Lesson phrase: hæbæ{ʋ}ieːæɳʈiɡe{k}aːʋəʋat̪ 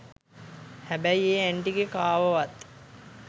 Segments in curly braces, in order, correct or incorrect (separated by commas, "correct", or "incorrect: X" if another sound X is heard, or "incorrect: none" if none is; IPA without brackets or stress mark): incorrect: none, correct